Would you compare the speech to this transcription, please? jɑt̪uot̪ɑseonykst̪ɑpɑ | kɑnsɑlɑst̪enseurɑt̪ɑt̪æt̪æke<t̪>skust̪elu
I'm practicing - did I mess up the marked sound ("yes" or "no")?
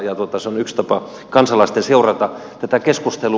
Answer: yes